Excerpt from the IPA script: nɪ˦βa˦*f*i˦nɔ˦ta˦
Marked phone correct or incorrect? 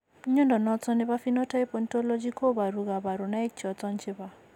correct